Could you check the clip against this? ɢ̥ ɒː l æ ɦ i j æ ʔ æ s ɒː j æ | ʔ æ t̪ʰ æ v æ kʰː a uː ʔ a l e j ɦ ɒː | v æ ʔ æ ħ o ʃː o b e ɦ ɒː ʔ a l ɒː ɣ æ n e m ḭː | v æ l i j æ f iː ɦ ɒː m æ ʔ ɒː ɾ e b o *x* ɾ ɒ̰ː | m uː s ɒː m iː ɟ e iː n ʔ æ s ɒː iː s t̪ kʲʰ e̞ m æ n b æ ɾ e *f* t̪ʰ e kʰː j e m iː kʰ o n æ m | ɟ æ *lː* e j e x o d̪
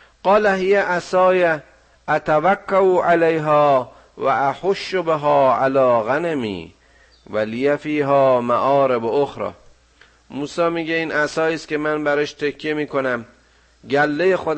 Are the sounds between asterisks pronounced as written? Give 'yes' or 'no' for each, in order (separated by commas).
yes, no, yes